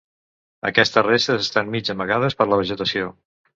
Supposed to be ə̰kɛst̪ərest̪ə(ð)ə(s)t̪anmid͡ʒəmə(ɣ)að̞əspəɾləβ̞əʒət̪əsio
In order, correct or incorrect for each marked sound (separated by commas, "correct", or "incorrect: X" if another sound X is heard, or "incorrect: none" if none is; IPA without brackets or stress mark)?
incorrect: z, correct, correct